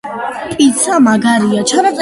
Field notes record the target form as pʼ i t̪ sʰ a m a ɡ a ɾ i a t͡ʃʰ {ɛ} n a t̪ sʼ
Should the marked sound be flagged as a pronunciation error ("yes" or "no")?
yes